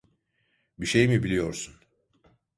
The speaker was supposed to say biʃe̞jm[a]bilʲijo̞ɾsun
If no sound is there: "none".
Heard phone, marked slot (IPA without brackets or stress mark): i